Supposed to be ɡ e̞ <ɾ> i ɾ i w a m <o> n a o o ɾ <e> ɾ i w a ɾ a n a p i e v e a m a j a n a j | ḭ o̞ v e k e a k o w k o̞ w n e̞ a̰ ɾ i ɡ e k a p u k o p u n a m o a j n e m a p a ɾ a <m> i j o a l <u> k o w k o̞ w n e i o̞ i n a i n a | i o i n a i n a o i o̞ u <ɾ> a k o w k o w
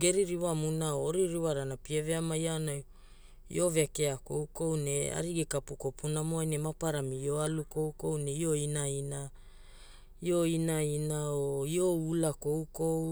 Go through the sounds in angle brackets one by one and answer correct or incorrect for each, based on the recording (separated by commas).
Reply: correct, incorrect, incorrect, correct, correct, incorrect